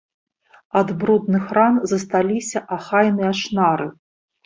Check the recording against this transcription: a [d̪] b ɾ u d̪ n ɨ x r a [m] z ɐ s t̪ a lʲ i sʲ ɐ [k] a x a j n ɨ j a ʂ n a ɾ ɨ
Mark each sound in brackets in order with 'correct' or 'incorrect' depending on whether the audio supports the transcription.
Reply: correct, incorrect, incorrect

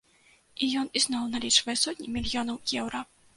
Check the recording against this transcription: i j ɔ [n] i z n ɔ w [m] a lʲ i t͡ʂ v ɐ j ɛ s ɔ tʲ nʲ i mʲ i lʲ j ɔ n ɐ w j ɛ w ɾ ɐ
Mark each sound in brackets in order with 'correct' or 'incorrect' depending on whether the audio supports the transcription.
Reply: correct, incorrect

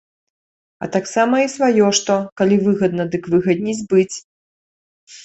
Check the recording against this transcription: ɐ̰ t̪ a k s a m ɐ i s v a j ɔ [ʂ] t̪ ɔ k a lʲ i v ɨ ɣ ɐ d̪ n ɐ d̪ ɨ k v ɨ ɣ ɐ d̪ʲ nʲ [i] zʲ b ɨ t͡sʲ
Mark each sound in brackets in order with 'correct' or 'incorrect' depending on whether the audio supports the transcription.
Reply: correct, correct

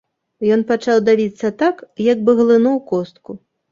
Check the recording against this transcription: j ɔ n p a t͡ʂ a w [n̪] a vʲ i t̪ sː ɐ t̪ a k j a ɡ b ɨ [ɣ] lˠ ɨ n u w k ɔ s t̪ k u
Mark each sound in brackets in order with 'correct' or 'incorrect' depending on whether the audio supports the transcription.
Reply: incorrect, correct

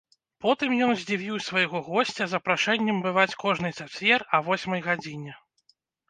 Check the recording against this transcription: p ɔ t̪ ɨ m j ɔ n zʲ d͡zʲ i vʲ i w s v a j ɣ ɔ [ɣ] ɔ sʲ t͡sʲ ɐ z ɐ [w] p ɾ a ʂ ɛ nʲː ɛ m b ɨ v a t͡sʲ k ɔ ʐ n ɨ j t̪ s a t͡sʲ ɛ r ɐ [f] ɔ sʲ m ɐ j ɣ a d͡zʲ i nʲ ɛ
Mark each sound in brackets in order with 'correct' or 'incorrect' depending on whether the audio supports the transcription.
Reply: correct, incorrect, incorrect

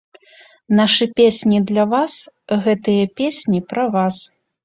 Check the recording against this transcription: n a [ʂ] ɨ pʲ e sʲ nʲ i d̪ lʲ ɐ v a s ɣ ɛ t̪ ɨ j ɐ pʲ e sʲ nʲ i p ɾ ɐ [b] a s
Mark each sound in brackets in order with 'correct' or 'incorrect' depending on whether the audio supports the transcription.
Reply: correct, incorrect

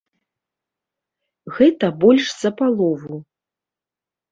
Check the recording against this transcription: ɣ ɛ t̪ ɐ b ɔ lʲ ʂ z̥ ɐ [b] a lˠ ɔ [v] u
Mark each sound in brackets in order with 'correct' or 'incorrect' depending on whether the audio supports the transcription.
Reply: incorrect, correct

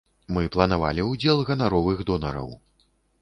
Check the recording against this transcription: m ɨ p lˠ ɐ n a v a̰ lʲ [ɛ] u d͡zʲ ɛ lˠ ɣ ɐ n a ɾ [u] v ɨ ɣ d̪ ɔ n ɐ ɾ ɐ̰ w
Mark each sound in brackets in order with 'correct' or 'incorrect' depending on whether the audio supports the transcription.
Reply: incorrect, incorrect

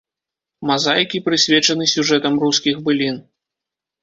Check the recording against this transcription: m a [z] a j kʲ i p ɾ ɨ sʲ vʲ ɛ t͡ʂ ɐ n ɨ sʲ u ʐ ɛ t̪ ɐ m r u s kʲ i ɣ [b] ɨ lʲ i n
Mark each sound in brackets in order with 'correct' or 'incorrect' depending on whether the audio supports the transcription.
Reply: correct, correct

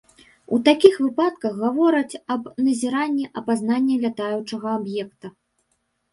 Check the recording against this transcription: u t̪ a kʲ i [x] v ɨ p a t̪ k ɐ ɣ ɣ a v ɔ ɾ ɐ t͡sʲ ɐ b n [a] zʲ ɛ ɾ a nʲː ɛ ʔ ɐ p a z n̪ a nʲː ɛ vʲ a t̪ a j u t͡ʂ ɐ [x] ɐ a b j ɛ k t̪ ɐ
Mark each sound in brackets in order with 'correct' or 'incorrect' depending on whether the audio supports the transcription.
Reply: correct, incorrect, incorrect

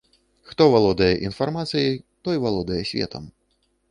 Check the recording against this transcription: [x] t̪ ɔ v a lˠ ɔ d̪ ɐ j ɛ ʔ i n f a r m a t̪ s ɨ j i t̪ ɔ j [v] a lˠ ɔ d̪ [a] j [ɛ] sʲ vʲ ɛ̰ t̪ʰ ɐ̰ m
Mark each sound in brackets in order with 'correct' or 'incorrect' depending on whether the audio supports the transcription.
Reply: correct, correct, incorrect, correct

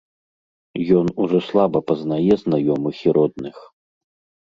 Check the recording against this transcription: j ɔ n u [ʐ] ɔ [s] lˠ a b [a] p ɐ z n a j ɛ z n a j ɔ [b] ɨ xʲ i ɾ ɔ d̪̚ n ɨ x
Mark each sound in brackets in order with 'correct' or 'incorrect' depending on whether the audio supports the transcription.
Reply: correct, correct, incorrect, incorrect

